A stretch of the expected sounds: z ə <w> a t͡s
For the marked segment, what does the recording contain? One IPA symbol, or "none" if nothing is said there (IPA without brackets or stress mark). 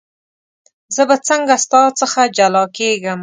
b